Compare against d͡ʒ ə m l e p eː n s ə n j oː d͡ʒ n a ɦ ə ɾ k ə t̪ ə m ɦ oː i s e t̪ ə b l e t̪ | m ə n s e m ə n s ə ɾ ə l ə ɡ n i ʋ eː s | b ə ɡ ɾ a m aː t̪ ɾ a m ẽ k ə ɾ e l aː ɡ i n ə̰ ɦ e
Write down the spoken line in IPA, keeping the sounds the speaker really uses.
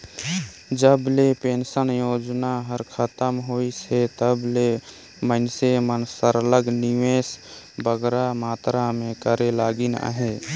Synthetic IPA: d͡ʒ ə b l e p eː n s ə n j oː d͡ʒ n a ɦ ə ɾ kʰ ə t̪ ə m ɦ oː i s e t̪ ə b l e | m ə n s e m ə n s ə ɾ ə l ə ɡ n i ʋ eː s | b ə ɡ ɾ a m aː t̪ ɾ a m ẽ k ə ɾ e l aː ɡ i n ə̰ ɦ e